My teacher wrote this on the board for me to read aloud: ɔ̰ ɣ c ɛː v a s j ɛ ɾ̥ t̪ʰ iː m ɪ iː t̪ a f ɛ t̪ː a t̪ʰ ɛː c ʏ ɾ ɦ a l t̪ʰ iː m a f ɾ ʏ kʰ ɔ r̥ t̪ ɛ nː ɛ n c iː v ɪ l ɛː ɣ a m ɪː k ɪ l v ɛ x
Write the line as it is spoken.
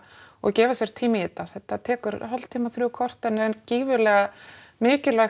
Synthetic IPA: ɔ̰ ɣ c ɛː v a s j ɛ ɾ̥ t̪ʰ iː m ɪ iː t̪ a θ ɛ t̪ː a t̪ʰ ɛː k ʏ ɾ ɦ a l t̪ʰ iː m a θ ɾ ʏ kʰ ɔ r̥ t̪ ɛ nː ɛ n c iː v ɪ l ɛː ɣ a m ɪː c ɪ l v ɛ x